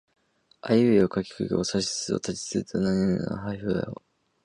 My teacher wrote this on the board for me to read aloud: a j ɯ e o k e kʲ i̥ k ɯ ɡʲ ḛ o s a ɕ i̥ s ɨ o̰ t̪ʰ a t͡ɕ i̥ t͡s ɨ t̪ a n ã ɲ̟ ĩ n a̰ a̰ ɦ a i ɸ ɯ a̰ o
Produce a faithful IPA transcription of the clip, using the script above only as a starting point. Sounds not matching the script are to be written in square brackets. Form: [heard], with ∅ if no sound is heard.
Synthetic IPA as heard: a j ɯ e o k [a] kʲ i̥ k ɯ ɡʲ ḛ o s a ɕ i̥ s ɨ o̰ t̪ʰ a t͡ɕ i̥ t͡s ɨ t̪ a n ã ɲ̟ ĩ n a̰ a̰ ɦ a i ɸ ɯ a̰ o